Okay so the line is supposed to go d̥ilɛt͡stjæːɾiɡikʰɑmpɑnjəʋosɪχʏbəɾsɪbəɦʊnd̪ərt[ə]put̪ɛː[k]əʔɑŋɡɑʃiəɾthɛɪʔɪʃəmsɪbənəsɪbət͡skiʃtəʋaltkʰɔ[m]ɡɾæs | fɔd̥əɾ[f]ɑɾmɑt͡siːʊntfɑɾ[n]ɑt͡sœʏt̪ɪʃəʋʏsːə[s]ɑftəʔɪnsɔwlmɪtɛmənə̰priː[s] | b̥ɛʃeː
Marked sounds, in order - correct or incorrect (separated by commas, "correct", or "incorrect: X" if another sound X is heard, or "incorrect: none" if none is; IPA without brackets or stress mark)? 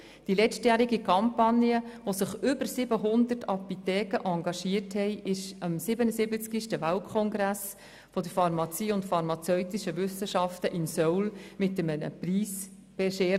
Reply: incorrect: ɑ, correct, incorrect: ŋ, correct, incorrect: m, incorrect: ʃ, correct